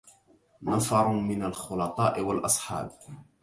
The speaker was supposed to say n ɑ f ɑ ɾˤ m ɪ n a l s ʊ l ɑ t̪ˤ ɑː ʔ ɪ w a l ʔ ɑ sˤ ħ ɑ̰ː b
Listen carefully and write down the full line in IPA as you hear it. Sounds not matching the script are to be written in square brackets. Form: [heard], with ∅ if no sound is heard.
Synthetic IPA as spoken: n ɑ f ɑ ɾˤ m ɪ n a l [x] ʊ l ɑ t̪ˤ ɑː ʔ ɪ w a l ʔ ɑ sˤ ħ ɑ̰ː b